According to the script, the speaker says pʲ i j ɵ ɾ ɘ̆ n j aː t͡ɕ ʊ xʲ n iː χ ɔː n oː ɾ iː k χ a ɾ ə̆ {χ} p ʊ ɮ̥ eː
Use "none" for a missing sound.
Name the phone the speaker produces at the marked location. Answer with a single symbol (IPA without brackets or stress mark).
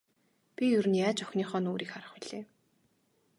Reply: χ